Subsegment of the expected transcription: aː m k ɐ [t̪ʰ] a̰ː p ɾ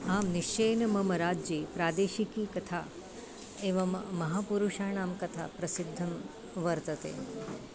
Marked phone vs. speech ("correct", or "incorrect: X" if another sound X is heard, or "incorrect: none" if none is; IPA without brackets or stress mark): correct